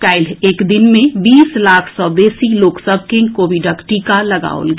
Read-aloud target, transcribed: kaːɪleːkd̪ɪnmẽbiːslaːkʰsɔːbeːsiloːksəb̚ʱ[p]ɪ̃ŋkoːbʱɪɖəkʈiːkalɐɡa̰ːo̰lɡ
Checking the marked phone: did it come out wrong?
yes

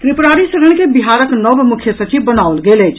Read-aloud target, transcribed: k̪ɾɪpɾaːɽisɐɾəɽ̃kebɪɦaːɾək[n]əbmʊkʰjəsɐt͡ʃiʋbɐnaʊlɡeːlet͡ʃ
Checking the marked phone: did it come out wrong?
no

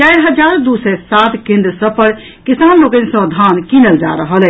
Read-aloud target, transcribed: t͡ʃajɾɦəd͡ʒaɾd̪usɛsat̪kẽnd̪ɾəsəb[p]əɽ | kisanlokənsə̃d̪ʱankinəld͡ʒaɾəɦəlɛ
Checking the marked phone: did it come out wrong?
no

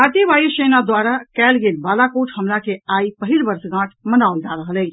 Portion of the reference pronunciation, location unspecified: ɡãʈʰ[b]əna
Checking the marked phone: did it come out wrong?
yes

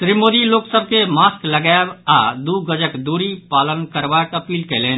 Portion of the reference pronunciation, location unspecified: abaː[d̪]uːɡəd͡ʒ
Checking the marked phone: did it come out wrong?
no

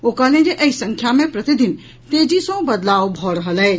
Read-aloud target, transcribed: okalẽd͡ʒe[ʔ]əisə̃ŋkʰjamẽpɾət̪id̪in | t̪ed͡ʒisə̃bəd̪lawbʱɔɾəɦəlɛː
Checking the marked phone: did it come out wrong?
no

